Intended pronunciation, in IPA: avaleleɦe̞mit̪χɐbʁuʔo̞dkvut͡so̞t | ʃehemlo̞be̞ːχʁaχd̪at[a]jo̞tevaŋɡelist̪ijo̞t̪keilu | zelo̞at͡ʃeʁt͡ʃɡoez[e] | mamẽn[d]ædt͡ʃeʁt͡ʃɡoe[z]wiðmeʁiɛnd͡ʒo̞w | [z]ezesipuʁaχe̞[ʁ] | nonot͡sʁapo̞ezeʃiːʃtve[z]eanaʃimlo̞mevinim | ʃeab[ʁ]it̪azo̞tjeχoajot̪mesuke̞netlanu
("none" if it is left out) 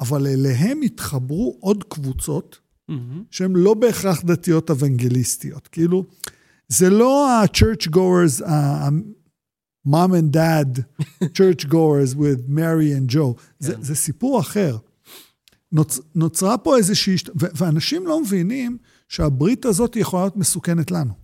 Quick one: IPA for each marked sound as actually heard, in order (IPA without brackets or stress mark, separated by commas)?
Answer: i, a, d, z, z, ʁ, v, ʁ